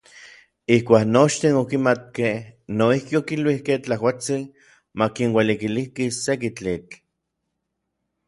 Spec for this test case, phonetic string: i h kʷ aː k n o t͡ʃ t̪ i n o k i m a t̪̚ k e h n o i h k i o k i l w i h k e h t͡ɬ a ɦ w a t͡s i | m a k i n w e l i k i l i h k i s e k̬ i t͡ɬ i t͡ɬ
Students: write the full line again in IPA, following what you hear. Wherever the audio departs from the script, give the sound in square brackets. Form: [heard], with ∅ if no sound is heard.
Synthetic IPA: i h kʷ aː k n o t͡ʃ t̪ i n o k i m a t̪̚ k e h n o i h k i o k i l w i h k e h t͡ɬ a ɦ w a t͡s i | m a k i n w e l i k i l i h k i s e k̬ i t͡ɬ i t͡ɬ